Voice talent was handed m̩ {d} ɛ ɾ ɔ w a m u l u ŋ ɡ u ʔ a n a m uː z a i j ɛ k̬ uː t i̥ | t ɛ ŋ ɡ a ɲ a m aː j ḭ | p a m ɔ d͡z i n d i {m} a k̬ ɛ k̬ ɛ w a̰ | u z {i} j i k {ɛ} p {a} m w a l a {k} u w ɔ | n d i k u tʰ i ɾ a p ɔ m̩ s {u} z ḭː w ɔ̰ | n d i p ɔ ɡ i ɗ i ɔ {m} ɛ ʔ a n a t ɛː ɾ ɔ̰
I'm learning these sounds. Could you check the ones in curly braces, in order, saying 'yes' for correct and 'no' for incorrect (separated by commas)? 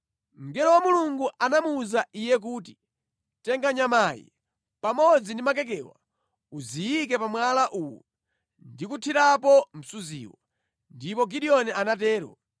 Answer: no, yes, yes, yes, yes, no, yes, no